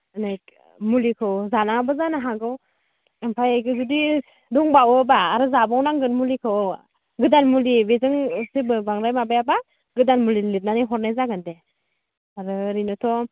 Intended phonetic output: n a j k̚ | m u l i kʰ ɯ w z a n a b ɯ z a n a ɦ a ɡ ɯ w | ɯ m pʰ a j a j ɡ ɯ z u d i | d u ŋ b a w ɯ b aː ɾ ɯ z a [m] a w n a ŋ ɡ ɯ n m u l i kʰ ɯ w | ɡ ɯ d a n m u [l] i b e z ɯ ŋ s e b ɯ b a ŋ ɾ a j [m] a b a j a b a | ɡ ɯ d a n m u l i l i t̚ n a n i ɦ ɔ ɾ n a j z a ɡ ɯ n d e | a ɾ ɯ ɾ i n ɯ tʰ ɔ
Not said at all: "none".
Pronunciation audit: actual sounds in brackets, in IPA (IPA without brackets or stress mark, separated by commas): b, l, m